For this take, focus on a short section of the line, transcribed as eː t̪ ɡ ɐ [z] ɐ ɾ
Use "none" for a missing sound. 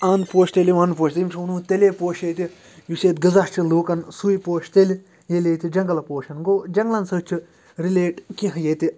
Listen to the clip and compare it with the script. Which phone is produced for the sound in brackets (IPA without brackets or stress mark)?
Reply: z